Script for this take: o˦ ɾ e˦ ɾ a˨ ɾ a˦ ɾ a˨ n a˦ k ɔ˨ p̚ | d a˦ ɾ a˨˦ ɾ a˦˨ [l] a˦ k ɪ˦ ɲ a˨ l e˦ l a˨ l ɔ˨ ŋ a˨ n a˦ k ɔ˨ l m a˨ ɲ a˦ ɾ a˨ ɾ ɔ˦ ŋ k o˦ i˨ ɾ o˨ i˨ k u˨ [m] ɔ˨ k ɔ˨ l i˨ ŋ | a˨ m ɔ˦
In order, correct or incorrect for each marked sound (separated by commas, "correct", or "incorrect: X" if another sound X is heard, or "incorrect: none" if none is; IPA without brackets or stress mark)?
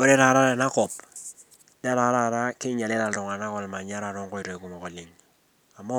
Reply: incorrect: ɾ, correct